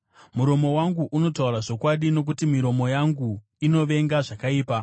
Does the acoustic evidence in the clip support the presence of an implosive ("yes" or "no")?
yes